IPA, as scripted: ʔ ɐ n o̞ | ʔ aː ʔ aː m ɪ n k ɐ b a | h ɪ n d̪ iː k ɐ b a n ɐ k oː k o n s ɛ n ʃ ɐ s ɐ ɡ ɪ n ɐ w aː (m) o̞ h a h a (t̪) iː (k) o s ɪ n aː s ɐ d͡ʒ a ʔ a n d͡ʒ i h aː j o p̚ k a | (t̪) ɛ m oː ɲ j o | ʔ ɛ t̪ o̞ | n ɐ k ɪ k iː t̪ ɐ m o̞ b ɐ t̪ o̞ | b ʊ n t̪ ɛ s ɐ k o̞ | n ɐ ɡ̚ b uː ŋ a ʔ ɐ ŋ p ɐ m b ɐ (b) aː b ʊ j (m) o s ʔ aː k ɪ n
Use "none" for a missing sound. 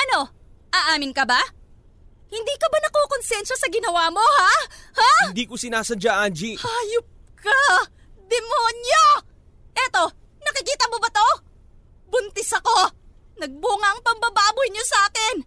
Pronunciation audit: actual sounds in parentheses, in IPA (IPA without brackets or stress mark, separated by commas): m, d̪, k, d̪, b, ɲ